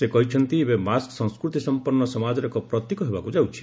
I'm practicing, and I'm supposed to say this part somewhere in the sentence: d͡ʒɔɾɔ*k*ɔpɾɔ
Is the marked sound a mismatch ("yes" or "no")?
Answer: no